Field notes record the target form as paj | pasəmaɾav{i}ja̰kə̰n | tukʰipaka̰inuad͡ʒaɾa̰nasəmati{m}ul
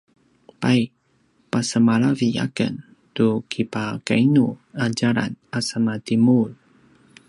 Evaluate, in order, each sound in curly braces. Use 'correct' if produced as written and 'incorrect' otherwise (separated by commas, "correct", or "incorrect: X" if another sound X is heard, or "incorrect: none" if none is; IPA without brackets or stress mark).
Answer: correct, correct